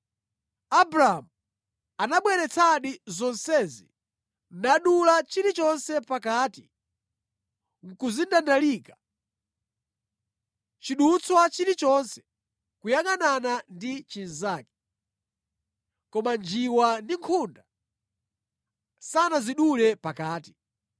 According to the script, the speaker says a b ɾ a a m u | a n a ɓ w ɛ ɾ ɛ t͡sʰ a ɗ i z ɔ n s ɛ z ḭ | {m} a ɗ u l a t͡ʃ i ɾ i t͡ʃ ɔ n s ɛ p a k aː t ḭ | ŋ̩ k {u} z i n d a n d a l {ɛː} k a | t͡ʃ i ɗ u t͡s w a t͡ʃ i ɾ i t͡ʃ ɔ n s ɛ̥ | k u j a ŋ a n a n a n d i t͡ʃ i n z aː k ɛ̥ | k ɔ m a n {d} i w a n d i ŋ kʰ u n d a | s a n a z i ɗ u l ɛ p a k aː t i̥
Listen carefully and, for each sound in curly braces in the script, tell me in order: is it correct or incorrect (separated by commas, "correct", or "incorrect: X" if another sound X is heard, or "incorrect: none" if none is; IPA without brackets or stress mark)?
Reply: incorrect: n, correct, incorrect: iː, incorrect: d͡ʒ